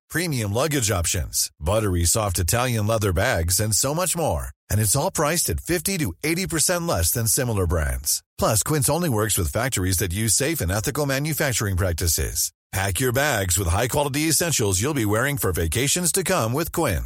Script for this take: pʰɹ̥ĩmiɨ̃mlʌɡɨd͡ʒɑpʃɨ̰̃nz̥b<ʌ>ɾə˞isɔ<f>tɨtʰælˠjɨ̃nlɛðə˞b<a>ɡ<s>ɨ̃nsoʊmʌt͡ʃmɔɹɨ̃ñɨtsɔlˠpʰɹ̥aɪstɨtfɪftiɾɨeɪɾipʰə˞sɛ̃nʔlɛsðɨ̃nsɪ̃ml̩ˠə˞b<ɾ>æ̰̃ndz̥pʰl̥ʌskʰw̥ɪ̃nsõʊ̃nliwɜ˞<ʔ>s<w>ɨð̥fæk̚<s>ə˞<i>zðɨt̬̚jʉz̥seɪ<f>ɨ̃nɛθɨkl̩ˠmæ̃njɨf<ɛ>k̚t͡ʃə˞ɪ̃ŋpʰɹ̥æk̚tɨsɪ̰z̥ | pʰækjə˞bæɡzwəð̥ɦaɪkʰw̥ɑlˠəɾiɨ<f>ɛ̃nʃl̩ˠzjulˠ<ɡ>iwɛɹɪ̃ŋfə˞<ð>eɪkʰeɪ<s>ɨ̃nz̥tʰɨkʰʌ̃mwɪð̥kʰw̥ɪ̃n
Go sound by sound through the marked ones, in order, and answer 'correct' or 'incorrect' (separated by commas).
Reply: correct, correct, incorrect, incorrect, incorrect, incorrect, correct, incorrect, correct, correct, incorrect, incorrect, incorrect, incorrect, incorrect